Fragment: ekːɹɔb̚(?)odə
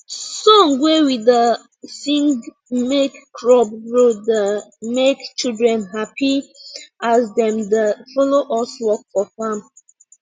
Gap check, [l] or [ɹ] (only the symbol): ɹ